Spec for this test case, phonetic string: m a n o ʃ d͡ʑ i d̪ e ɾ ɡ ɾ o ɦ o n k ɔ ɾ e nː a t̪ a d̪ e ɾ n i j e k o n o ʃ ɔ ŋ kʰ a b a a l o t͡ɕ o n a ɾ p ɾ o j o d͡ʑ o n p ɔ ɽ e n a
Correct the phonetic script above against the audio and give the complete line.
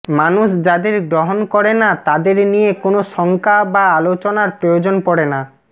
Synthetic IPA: m a n u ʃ d͡ʑ a d̪ e ɾ ɡ ɾ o ɦ o n k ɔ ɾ e n a t̪ a d̪ e ɾ n i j e k o n o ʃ ɔ ŋ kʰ a b a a l o t͡ɕ o n a ɾ p ɾ o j o d͡ʑ o n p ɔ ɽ e n a